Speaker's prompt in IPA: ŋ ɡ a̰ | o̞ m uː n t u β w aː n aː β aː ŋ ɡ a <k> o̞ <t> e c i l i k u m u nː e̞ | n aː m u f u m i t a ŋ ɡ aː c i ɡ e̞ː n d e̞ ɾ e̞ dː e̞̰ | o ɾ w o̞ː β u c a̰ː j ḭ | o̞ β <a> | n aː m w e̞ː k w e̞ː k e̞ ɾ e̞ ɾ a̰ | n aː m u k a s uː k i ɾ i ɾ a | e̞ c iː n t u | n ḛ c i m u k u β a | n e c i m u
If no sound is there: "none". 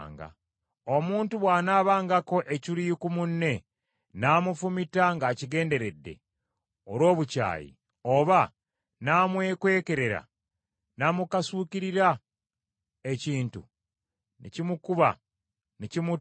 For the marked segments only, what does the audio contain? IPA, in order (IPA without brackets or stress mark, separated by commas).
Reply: k, ʔ, a